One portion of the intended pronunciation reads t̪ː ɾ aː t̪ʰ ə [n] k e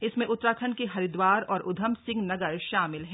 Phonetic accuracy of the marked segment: correct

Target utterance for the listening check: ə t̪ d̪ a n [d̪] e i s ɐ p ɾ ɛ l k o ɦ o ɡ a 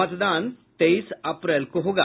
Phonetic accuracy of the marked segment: incorrect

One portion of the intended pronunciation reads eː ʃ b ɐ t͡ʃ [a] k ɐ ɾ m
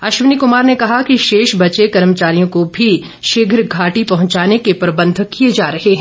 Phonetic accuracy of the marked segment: incorrect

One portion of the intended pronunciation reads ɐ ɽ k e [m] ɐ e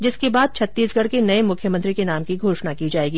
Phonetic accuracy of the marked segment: incorrect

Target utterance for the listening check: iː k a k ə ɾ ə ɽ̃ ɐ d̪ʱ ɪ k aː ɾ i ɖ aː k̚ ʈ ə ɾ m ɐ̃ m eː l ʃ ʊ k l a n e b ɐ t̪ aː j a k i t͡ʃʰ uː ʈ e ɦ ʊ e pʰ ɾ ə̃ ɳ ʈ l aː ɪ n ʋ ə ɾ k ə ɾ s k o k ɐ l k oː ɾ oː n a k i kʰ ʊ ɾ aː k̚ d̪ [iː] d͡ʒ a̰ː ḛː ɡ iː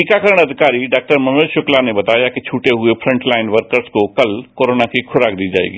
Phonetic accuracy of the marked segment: correct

